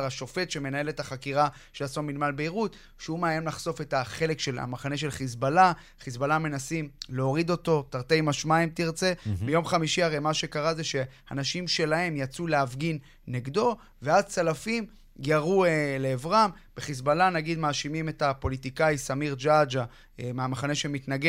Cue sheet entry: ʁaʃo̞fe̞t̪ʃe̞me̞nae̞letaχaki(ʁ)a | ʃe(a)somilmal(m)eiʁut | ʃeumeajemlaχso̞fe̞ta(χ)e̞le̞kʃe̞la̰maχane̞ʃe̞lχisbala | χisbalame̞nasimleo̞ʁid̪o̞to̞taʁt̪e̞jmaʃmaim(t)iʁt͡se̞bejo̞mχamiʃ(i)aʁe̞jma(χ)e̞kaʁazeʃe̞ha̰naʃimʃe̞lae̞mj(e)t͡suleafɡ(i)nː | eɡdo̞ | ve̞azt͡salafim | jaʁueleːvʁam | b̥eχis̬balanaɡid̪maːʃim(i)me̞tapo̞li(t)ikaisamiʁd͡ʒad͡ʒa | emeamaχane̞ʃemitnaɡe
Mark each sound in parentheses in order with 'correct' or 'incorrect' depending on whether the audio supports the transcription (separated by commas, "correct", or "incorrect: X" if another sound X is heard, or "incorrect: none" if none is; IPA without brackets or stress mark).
correct, correct, incorrect: b, correct, correct, correct, incorrect: ʃ, incorrect: a, correct, correct, correct